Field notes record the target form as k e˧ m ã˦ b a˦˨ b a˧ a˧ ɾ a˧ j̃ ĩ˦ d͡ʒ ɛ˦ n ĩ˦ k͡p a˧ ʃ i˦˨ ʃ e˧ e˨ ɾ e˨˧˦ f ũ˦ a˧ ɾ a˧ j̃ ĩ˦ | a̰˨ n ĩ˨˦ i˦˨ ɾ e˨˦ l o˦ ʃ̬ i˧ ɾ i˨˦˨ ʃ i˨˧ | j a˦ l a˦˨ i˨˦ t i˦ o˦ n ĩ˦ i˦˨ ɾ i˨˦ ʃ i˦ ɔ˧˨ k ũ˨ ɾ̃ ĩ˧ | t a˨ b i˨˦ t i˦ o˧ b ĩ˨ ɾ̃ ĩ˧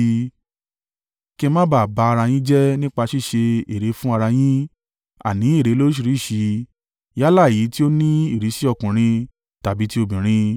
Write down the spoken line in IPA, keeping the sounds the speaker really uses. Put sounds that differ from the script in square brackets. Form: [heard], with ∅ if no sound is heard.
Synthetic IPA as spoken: k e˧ m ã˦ b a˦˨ b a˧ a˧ ɾ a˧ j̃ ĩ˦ d͡ʒ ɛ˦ n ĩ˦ k͡p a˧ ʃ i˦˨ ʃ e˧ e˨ ɾ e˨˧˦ f ũ˦ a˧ ɾ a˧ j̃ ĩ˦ | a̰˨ n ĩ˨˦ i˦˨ ɾ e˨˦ l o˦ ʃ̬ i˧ ɾ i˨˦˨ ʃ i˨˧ | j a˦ l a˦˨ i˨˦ t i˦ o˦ n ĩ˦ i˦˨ ɾ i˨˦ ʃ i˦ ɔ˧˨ k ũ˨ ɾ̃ ĩ˧ | t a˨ b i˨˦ t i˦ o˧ b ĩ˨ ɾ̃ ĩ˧